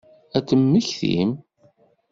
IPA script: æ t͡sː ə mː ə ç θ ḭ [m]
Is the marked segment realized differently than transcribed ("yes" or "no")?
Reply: no